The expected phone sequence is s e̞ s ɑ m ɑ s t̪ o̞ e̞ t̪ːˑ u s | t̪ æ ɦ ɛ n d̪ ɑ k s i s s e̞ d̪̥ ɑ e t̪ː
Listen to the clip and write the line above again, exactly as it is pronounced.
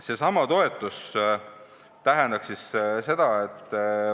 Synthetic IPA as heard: s e̞ s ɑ m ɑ t̪ o̞ e̞ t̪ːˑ u s | t̪ æ ɦ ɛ n d̪ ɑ k s i s s e̞ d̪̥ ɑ e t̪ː